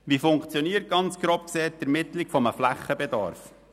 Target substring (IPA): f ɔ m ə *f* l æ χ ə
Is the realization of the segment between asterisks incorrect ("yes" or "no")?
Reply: no